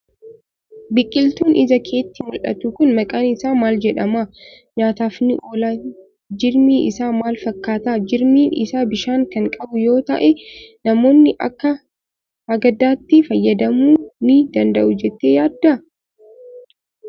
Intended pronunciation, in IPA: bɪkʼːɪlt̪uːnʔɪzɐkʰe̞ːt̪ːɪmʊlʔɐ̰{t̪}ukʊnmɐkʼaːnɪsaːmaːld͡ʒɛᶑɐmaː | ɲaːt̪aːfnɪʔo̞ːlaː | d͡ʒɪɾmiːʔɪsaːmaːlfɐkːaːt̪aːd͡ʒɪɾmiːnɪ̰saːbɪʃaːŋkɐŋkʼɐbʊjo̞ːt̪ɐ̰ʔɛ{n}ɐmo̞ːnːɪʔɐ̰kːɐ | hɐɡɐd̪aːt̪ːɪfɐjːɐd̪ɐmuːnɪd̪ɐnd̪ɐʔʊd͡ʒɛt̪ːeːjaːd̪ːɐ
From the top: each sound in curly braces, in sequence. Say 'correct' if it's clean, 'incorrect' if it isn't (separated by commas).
correct, correct